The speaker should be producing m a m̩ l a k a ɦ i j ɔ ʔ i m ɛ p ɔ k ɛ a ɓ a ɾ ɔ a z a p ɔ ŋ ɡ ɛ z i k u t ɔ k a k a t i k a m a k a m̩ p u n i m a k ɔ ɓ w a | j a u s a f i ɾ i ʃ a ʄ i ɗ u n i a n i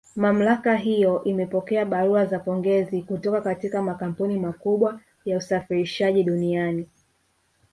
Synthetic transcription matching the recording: m a m̩ l a k a ɦ i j ɔ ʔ i m ɛ p ɔ k ɛ a ɓ a ɾ u a z a p ɔ ŋ ɡ ɛ z i k u t ɔ k a k a t i k a m a k a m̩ p u n i m a k u ɓ w a | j a u s a f i ɾ i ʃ a ʄ i ɗ u n i a n i